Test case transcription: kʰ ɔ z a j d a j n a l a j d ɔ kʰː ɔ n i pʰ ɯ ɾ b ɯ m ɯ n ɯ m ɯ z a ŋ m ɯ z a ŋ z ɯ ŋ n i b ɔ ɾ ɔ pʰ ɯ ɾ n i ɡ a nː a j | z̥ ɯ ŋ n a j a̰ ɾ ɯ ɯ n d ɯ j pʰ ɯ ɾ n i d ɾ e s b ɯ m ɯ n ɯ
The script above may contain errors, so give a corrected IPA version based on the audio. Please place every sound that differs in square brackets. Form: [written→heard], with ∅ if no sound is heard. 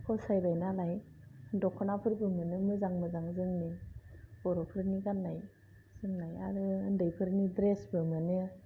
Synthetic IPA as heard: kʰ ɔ [z→s] a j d a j n a l a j d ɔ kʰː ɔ n [i→a] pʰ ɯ ɾ b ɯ m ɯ n ɯ m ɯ z a ŋ m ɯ z a ŋ z ɯ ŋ n i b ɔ ɾ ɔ pʰ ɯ ɾ n i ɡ a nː a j | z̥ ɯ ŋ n a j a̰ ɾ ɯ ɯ n d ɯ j pʰ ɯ ɾ n i d ɾ e s b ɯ m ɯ n ɯ